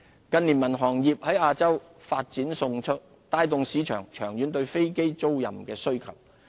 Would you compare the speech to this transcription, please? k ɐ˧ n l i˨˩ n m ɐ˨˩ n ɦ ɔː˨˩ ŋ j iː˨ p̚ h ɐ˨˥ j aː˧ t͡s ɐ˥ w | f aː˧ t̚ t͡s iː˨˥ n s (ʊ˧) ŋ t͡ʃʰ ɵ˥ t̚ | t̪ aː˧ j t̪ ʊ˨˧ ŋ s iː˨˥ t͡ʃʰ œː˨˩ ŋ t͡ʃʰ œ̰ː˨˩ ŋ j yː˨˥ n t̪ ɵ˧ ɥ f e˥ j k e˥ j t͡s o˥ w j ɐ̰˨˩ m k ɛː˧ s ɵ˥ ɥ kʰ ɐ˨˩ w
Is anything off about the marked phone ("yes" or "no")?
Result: no